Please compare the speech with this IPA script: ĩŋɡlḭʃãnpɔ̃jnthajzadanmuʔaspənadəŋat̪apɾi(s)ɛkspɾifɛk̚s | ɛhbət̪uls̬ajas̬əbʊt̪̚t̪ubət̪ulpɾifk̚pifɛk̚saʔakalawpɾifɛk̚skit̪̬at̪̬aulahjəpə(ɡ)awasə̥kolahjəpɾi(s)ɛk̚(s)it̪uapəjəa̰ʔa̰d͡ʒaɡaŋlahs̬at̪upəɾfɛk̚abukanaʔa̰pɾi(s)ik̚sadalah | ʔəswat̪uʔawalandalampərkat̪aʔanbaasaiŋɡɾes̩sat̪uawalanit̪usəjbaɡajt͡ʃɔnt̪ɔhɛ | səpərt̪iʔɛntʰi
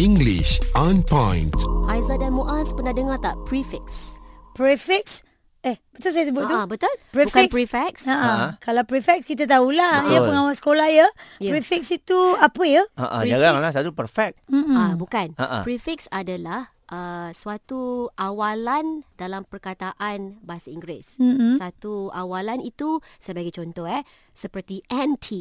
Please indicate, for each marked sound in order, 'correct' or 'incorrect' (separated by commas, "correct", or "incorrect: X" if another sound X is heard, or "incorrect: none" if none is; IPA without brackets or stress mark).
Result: incorrect: f, incorrect: ŋ, incorrect: f, correct, incorrect: f